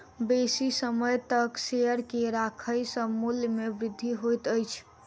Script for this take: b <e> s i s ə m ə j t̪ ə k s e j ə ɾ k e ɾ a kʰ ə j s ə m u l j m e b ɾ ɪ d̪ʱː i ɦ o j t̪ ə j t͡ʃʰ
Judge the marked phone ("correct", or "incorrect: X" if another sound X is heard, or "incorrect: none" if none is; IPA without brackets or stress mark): correct